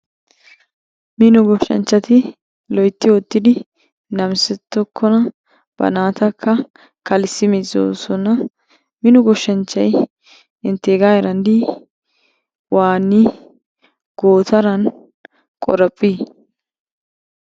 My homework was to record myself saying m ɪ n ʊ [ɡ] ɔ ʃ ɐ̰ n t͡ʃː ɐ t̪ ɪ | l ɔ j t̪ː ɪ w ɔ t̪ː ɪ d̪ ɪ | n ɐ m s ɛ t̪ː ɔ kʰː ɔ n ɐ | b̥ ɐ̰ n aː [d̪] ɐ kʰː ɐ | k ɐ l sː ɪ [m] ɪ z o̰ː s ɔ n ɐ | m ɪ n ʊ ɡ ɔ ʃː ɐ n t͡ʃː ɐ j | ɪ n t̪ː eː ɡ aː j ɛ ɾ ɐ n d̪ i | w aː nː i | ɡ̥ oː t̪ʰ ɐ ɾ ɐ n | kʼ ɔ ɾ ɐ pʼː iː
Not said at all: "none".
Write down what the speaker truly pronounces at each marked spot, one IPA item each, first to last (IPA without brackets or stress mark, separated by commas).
ɡ, t̪, m